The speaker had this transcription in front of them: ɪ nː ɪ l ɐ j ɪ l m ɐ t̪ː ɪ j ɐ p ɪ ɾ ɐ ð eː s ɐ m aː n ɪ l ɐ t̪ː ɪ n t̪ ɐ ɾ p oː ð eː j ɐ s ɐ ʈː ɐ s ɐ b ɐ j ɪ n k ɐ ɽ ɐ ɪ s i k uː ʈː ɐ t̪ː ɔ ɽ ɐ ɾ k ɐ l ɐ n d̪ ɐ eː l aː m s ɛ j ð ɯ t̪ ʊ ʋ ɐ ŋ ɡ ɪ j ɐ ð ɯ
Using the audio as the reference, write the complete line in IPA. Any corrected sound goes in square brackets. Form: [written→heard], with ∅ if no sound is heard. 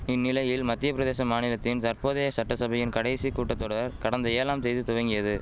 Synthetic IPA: ɪ nː ɪ l ɐ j ɪ l m ɐ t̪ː ɪ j ɐ p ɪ ɾ ɐ ð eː s ɐ m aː n ɪ l ɐ t̪ː ɪ n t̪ ɐ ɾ p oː ð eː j ɐ s ɐ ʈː ɐ s ɐ b ɐ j ɪ n k ɐ ɽ ɐ ɪ s i k uː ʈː ɐ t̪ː ɔ ɽ ɐ ɾ k ɐ [l→ɽ] ɐ n d̪ ɐ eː l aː m s ɛ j ð ɯ t̪ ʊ ʋ ɐ ŋ ɡ ɪ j ɐ ð ɯ